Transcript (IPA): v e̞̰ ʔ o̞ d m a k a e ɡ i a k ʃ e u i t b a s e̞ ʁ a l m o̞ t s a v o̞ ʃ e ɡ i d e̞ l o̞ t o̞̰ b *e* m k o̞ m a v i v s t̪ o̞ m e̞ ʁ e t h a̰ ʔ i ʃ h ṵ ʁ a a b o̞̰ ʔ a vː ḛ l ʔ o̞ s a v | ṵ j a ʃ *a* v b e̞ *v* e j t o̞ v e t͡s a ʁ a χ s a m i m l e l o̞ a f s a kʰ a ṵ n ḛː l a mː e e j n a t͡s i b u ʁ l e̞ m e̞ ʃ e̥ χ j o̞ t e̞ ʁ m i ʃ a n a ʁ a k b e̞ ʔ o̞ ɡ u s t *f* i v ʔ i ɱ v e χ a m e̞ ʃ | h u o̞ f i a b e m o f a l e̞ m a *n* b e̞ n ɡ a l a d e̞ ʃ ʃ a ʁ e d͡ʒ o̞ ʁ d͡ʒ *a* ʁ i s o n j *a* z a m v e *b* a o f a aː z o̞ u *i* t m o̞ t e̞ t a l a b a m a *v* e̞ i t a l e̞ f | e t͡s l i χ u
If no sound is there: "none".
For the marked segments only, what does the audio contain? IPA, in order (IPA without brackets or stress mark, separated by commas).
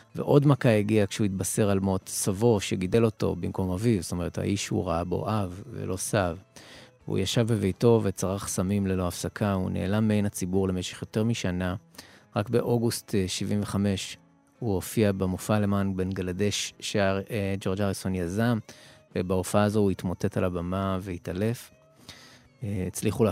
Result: i, a, v, ʃ, n, a, a, b, i, v